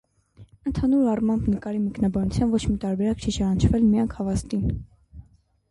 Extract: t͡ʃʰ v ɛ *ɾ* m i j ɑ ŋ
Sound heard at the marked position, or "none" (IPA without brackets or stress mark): l